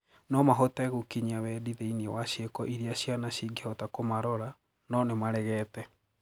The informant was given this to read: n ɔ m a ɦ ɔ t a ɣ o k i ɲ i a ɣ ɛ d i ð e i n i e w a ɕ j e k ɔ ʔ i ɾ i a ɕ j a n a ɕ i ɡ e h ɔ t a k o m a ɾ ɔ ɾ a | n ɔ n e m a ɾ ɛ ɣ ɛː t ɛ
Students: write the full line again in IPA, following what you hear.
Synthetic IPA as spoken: n ɔ m a ɦ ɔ t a ɣ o k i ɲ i a w ɛ d i ð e i n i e w a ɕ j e k ɔ ʔ i ɾ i a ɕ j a n a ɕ i ɡ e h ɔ t a k o m a ɾ ɔ ɾ a | n ɔ n e m a ɾ ɛ ɣ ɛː t ɛ